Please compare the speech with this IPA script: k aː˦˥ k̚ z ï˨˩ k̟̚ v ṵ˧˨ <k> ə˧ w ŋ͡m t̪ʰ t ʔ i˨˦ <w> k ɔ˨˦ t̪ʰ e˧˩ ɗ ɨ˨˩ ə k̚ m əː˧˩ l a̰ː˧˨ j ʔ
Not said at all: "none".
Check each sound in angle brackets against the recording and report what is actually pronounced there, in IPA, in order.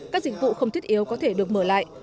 x, w

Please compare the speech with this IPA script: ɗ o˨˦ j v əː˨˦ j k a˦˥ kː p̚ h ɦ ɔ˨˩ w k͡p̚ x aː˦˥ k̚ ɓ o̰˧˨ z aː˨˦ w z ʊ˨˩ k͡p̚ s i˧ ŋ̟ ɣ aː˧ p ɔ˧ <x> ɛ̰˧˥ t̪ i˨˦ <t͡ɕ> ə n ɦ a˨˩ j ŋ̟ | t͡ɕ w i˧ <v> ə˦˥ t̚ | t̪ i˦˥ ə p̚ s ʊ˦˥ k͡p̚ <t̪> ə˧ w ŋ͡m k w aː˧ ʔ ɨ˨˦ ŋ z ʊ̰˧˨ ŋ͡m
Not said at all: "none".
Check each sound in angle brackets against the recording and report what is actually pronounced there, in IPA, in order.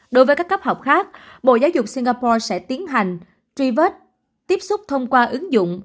s, none, v, t̪ʰ

